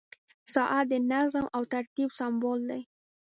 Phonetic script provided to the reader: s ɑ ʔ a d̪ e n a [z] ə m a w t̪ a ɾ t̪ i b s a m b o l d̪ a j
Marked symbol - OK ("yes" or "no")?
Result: yes